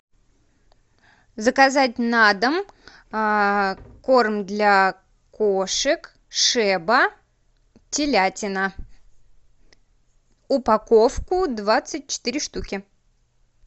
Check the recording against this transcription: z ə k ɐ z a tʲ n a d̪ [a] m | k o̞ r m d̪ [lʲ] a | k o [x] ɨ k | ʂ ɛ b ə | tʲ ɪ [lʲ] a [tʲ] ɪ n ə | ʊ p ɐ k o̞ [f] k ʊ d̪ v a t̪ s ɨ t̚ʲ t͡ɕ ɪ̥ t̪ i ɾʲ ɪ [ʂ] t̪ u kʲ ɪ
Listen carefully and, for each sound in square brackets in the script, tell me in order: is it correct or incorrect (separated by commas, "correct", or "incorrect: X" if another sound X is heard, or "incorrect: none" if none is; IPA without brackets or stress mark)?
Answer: incorrect: ə, correct, incorrect: ʂ, correct, correct, correct, correct